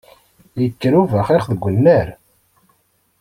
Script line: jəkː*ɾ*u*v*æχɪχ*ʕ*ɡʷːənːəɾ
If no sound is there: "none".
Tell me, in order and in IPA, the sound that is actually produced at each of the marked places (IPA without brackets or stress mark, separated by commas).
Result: ɾ, v, ð